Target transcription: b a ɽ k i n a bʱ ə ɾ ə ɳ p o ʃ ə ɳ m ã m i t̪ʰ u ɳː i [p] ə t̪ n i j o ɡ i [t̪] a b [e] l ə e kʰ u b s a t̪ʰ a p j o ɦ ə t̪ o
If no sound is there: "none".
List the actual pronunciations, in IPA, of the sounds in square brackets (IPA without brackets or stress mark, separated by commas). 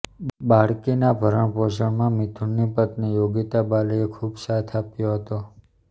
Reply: p, t̪, a